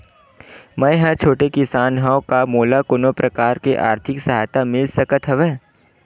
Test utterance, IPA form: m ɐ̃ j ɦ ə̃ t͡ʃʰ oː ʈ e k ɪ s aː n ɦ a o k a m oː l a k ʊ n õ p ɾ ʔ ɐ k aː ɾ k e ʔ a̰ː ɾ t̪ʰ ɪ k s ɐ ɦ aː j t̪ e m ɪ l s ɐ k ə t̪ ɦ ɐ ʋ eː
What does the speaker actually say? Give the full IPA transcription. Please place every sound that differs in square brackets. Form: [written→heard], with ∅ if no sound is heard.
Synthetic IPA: m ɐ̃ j ɦ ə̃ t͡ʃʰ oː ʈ e k ɪ s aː n ɦ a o k a m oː l a k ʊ n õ p ɾ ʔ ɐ k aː ɾ k e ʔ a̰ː ɾ t̪ʰ ɪ k s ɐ ɦ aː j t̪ [e→a] m ɪ l s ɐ k ə t̪ ɦ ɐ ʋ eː